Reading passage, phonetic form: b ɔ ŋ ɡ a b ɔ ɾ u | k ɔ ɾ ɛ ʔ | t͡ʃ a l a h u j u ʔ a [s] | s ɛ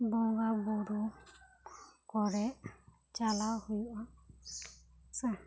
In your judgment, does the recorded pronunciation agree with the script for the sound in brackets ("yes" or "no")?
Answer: no